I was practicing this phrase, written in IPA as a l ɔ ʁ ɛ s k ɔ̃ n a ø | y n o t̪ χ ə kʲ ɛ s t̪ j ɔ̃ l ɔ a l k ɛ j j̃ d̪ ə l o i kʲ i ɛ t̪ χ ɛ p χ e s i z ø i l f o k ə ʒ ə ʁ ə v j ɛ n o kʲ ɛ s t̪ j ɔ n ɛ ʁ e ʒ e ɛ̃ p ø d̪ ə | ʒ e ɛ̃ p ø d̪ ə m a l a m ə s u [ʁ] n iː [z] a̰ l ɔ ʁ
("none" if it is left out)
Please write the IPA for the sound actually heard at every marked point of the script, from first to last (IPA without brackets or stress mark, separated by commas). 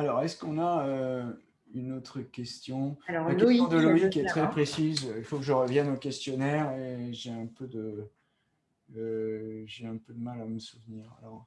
v, ʁ